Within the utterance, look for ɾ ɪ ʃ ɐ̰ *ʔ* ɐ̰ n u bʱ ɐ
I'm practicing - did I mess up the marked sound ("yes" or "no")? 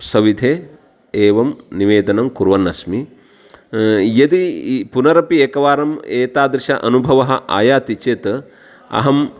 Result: no